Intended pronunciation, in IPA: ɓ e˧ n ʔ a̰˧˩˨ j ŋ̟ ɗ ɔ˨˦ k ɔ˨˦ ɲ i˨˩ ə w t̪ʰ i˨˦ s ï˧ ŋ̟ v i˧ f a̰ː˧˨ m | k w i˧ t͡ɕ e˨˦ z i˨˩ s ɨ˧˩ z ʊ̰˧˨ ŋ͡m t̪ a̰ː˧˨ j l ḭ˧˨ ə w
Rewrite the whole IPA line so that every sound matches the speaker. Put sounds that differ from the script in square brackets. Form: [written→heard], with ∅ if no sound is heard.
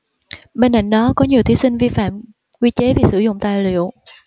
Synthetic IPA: ɓ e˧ n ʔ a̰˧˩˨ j ŋ̟ ɗ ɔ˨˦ k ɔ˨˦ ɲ i˨˩ ə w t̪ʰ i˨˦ s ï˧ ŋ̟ v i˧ f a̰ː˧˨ m | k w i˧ t͡ɕ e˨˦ [z→v] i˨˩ s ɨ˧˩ z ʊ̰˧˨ ŋ͡m t̪ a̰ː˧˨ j l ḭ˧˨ ə w